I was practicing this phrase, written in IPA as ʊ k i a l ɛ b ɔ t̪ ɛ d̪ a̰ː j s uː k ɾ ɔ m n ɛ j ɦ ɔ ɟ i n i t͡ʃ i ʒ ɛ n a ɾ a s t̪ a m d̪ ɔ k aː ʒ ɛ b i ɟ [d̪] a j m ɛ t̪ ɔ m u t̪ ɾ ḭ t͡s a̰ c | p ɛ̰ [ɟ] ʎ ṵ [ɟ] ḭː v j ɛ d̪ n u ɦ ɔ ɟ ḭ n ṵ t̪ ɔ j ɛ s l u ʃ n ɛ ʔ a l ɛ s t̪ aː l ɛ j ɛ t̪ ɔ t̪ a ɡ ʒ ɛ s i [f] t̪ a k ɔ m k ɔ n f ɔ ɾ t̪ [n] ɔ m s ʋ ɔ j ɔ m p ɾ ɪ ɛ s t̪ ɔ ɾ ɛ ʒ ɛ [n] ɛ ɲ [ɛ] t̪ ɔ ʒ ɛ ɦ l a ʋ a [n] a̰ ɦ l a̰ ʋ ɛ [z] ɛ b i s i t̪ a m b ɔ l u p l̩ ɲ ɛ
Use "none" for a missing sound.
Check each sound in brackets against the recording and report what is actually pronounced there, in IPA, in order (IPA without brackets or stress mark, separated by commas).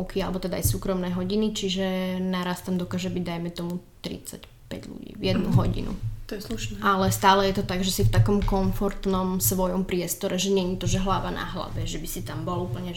d̪, ɟ, ɟ, f, n, ɲ, i, n, ʒ